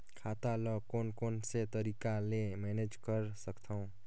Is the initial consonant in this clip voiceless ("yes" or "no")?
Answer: yes